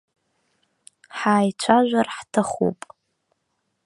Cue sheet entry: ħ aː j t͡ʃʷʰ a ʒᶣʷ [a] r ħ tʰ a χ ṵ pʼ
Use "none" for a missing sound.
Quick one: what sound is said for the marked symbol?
a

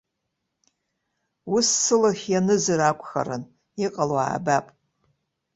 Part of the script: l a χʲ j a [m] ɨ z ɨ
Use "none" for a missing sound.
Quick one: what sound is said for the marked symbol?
n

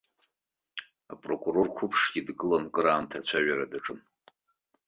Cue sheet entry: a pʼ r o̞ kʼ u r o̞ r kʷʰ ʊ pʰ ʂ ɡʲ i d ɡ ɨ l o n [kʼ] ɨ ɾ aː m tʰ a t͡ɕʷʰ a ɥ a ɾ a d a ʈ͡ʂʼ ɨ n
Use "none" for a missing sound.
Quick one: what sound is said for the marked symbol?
kʼ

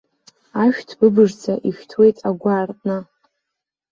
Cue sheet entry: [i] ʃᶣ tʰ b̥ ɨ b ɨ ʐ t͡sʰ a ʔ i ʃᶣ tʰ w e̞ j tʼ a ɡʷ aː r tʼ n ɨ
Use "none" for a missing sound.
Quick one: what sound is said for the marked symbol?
a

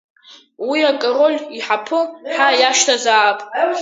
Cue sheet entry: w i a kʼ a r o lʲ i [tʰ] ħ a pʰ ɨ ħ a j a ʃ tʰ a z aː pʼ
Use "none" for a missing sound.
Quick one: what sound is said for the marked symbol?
none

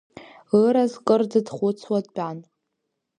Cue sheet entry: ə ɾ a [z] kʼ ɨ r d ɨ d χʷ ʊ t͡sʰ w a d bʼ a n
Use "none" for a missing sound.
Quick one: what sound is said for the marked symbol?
z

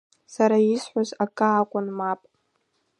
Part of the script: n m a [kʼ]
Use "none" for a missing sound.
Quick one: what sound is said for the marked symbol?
pʼ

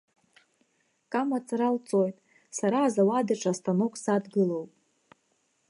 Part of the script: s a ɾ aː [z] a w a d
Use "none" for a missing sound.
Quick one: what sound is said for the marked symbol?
z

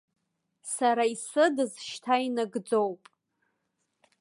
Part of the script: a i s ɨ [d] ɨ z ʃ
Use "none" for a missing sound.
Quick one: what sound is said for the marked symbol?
d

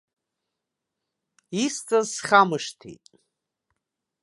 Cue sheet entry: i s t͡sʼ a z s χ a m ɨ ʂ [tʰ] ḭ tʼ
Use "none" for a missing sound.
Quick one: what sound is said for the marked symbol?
tʰ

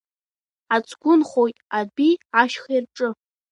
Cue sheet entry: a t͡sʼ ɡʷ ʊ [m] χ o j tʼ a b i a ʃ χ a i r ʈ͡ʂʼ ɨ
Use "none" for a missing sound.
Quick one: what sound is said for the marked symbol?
n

